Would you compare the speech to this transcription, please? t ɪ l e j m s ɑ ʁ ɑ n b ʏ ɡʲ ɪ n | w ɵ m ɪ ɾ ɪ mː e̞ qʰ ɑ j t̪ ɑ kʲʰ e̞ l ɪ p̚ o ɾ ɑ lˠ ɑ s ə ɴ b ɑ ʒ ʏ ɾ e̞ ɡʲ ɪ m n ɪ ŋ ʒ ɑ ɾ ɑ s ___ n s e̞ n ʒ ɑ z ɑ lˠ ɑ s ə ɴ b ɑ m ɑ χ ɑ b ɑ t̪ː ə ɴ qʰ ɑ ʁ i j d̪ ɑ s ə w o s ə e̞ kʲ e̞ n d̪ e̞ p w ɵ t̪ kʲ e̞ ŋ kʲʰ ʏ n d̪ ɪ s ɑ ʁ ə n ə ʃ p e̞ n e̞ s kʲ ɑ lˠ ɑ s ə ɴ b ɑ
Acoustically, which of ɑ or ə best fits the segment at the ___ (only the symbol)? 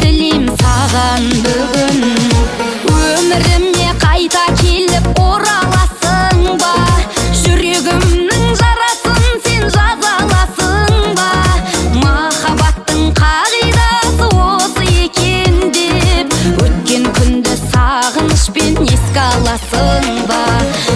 ə